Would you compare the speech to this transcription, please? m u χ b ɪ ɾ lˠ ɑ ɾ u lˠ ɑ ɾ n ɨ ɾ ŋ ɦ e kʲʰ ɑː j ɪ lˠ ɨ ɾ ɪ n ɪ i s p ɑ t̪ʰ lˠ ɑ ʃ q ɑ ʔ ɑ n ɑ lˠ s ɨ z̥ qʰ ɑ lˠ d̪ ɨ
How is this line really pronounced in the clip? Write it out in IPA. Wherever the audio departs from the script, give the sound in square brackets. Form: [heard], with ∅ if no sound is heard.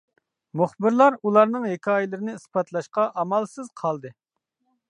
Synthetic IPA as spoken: m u χ b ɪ ɾ lˠ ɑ ɾ u lˠ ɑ ɾ n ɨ [∅] ŋ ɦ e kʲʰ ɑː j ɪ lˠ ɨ ɾ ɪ n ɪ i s p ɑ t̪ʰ lˠ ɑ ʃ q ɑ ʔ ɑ [m] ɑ lˠ s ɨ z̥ qʰ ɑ lˠ d̪ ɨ